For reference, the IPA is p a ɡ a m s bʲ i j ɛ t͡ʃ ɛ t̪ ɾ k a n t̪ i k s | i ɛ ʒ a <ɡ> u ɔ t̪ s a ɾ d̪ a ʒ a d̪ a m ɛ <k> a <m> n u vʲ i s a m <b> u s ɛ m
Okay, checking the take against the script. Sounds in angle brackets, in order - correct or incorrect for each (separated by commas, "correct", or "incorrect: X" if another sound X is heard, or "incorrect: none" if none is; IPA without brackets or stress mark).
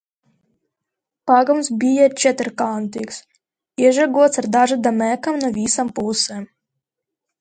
correct, correct, correct, incorrect: p